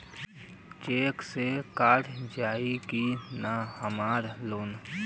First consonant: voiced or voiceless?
voiceless